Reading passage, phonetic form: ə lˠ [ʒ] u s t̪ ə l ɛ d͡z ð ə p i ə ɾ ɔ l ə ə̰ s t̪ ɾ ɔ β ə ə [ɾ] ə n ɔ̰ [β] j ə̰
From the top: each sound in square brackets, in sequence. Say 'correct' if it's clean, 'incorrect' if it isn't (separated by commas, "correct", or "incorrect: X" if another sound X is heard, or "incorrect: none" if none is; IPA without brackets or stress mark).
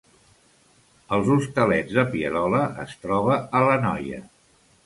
incorrect: z, incorrect: l, incorrect: none